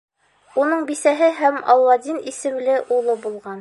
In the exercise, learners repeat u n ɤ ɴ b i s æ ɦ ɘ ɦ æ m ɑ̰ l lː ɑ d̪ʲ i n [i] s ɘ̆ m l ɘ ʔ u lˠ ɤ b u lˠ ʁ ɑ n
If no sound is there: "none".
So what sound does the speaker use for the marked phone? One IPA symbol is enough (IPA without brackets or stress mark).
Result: i